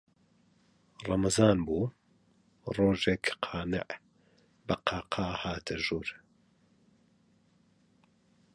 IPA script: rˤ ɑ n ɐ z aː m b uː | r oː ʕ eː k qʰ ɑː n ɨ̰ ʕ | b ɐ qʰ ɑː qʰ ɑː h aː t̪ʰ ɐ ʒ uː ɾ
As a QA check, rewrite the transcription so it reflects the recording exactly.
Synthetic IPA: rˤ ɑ m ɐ z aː n b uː | r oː ʒ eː k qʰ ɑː n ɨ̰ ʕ | b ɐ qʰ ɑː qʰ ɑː h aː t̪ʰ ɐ ʒ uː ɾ